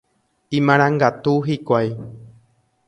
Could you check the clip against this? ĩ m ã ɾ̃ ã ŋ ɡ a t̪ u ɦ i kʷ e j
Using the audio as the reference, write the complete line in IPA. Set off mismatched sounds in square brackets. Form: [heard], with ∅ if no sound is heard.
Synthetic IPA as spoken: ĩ m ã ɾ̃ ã ŋ ɡ a t̪ u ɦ i kʷ [a] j